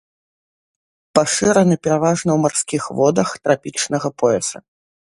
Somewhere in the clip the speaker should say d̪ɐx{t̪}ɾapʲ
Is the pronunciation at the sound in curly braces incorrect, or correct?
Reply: correct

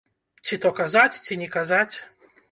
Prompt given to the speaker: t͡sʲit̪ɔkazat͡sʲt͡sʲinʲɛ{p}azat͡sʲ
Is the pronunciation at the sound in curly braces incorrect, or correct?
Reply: incorrect: k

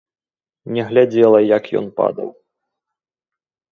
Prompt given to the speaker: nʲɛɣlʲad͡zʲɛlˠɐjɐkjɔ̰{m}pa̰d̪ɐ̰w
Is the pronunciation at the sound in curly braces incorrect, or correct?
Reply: incorrect: n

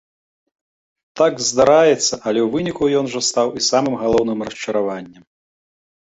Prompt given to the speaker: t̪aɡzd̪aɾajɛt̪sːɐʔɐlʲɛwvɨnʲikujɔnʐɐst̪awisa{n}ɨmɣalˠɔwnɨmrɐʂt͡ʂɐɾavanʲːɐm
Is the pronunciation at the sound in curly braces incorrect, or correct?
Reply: incorrect: m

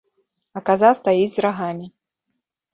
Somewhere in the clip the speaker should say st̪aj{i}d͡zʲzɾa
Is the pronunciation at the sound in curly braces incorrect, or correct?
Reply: correct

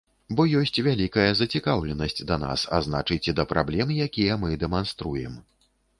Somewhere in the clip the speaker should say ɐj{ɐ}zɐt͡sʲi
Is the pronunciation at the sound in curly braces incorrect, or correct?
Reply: correct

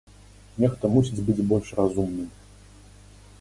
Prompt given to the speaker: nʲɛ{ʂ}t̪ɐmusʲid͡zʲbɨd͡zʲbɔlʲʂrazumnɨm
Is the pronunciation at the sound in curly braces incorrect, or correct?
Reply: incorrect: x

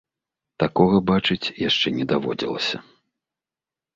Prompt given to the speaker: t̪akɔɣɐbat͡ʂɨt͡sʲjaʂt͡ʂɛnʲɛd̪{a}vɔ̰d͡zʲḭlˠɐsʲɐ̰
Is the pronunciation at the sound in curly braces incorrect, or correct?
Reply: correct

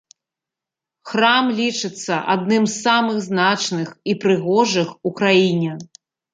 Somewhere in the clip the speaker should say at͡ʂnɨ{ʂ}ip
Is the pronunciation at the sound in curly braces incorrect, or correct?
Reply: incorrect: x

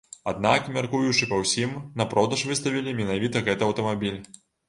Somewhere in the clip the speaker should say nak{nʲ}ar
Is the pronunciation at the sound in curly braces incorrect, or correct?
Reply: incorrect: mʲ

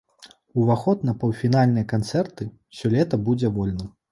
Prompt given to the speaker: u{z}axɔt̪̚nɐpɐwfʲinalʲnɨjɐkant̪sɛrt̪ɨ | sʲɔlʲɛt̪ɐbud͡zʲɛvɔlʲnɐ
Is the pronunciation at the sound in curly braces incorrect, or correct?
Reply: incorrect: v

